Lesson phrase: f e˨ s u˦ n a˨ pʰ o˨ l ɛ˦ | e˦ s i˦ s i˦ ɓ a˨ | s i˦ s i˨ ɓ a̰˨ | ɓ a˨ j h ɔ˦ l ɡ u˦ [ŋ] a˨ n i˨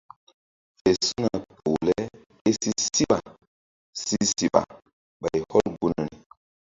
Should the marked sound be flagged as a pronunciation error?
yes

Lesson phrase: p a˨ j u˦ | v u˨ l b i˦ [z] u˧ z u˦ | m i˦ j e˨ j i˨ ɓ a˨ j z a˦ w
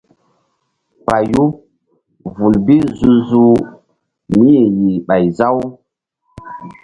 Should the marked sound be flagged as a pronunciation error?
no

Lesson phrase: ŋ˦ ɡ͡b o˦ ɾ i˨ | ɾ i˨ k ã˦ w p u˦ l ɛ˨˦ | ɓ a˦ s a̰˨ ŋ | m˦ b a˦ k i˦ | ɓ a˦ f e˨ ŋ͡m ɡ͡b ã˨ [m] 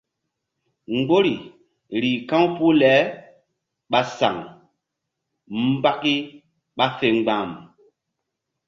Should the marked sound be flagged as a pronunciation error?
no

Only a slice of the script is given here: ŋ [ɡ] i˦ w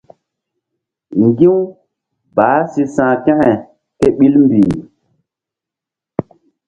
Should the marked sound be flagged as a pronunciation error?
no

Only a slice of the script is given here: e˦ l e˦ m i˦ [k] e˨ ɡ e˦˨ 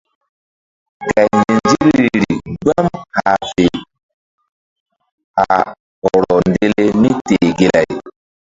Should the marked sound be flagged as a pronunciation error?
yes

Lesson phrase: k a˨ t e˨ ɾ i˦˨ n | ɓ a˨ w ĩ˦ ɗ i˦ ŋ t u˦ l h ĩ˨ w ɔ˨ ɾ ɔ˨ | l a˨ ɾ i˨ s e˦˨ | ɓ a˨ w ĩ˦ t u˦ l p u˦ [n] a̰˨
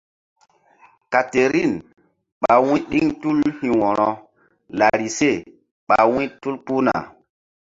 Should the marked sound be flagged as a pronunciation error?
no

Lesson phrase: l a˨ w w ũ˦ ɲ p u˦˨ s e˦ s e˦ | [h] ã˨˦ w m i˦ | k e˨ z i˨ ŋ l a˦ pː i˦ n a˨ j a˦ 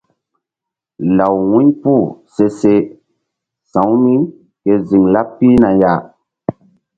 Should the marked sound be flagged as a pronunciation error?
yes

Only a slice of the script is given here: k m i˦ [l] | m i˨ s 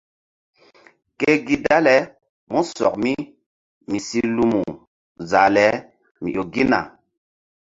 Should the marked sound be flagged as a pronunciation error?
yes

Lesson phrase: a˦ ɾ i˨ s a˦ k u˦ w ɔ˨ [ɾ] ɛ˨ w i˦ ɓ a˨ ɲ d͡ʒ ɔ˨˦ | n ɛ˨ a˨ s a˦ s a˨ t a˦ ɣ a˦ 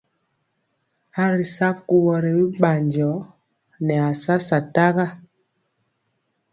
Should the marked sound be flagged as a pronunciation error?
no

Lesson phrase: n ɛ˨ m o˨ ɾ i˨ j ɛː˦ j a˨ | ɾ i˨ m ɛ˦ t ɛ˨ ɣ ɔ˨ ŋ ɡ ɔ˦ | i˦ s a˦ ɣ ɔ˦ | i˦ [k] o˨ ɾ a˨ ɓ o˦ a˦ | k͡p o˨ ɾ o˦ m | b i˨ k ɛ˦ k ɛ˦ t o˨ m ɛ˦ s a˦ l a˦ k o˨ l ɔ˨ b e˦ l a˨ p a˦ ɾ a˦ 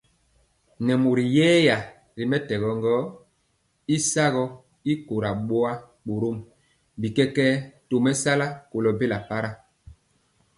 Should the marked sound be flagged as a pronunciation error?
no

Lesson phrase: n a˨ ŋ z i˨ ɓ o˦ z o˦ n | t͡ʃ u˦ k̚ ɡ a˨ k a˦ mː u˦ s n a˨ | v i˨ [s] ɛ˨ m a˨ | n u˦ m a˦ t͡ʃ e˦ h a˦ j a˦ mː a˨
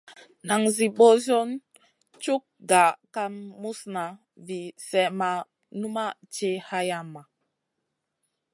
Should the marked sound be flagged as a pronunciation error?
no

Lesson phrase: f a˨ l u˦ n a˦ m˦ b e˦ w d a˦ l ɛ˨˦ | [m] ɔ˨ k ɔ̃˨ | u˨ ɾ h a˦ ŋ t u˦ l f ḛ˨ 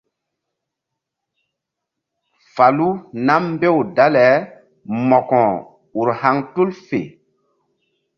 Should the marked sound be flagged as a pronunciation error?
no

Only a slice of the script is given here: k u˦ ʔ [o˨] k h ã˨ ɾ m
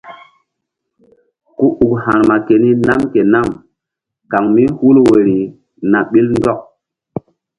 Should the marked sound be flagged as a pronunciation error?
yes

